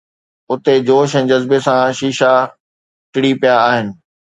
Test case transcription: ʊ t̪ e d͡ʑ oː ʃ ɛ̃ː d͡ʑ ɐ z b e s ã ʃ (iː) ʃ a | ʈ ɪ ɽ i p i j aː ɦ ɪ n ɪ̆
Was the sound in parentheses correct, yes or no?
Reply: yes